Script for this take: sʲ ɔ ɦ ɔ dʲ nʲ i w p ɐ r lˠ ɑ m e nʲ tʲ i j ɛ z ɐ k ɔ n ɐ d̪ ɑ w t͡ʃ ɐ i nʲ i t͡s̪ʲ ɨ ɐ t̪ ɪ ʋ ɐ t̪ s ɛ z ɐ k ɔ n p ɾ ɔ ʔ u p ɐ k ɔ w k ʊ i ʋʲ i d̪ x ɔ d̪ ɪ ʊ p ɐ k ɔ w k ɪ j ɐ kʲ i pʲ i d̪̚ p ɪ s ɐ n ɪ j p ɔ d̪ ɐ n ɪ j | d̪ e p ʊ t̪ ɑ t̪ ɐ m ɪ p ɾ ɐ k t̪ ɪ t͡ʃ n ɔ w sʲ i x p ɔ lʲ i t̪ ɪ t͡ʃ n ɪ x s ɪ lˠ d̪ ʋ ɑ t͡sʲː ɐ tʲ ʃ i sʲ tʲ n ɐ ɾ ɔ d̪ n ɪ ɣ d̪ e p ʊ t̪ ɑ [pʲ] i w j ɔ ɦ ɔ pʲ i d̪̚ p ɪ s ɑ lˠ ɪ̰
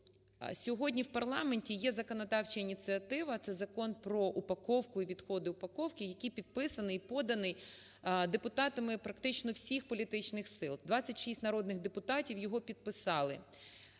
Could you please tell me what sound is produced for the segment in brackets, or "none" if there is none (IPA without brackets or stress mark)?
tʲ